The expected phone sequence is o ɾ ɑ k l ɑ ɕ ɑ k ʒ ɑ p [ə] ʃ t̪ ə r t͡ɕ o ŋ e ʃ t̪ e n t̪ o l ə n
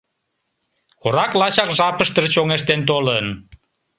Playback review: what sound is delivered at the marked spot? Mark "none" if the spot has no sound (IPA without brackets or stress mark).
ə